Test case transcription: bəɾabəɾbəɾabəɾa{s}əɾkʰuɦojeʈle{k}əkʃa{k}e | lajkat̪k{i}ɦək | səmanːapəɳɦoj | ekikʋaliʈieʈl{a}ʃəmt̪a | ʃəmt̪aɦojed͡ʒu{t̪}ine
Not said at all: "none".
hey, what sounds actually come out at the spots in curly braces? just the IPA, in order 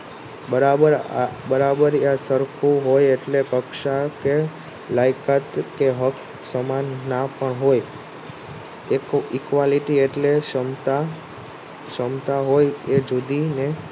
s, k, k, e, e, d̪

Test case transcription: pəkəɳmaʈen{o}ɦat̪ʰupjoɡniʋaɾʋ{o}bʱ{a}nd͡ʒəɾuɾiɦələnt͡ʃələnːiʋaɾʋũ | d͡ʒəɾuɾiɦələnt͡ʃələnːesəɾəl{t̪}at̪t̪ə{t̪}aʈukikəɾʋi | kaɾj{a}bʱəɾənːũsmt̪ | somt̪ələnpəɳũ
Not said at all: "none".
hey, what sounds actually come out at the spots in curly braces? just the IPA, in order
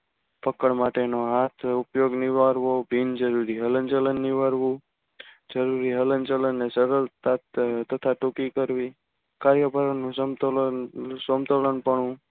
o, o, i, t̪, t̪ʰ, ə

